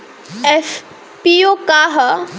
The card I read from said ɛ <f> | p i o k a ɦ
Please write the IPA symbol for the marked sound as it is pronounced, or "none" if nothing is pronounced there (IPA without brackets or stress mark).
f